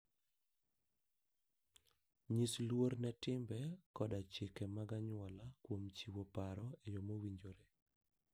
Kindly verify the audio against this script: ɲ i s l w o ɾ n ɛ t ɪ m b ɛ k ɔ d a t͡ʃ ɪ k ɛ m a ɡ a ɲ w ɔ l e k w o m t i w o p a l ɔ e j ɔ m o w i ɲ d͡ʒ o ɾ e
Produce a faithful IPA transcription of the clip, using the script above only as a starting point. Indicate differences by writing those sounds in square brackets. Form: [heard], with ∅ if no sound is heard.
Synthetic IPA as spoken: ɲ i s l w o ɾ n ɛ t ɪ m b ɛ k ɔ d a t͡ʃ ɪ k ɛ m a ɡ a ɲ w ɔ l [a] k w o m [t͡ʃ] i w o p a [ɾ] ɔ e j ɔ m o w i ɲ d͡ʒ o ɾ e